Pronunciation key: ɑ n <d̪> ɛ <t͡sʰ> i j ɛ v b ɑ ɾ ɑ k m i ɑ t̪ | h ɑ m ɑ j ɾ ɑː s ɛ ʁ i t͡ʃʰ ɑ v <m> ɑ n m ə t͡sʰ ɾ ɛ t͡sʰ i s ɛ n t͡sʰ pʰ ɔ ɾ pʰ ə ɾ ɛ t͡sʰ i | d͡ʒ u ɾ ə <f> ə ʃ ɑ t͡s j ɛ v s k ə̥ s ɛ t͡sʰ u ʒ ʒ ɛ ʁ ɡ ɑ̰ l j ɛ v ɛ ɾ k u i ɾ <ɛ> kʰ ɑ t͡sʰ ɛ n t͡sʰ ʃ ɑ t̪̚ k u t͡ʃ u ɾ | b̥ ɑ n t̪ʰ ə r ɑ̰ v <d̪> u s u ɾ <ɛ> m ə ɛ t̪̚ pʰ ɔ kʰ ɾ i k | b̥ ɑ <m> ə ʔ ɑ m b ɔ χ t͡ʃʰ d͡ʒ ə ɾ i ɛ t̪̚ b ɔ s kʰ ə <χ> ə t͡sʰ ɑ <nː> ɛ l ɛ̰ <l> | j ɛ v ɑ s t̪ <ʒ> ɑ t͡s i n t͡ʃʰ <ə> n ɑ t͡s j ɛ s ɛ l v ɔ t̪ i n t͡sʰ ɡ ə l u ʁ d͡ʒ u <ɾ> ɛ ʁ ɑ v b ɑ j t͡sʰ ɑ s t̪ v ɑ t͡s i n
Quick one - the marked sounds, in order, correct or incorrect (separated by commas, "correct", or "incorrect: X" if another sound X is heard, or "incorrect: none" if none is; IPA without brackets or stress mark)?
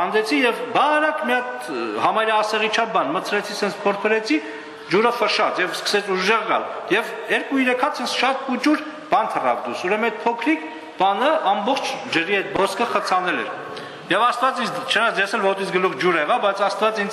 correct, correct, incorrect: b, correct, correct, correct, correct, incorrect: n, correct, incorrect: n, incorrect: ɾ, incorrect: v, correct, correct